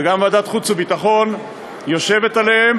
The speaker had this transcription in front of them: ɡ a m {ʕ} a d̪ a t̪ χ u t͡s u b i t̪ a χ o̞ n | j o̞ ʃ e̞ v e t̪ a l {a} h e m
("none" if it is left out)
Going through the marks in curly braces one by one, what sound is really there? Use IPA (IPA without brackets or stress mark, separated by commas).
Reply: v, e